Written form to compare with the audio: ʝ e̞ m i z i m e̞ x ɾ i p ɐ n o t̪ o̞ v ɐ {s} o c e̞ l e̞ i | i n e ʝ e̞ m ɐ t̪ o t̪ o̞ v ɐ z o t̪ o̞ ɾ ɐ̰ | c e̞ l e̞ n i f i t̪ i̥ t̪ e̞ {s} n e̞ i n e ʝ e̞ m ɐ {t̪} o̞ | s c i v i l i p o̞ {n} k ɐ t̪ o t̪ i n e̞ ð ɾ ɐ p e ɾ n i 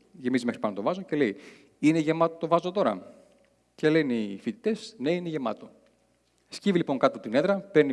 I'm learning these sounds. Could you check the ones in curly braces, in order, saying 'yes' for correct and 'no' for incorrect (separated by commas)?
no, yes, yes, no